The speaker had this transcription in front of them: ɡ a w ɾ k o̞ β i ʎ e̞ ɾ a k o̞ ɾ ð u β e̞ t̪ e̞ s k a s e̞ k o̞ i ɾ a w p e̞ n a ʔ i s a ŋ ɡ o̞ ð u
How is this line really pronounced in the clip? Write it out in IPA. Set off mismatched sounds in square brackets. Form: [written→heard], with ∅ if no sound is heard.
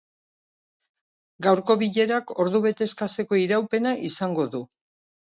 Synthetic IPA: ɡ a w ɾ k o̞ β i ʎ e̞ ɾ a k o̞ ɾ ð u β e̞ t̪ e̞ s k a s e̞ k o̞ i ɾ a w p e̞ n a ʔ i s a ŋ ɡ o̞ ð u